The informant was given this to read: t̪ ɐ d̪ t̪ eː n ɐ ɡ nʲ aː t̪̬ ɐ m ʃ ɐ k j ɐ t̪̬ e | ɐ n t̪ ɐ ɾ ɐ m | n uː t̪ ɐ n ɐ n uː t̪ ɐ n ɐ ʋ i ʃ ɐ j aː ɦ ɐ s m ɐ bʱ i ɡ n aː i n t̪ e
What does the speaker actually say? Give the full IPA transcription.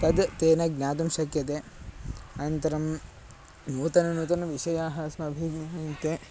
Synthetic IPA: t̪ ɐ d̪ t̪ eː n ɐ ɡ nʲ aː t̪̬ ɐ m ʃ ɐ k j ɐ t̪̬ e | ɐ n t̪ ɐ ɾ ɐ m | n uː t̪ ɐ n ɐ n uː t̪ ɐ n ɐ ʋ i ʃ ɐ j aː ɦ ɐ s m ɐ bʱ i ɡ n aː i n t̪ e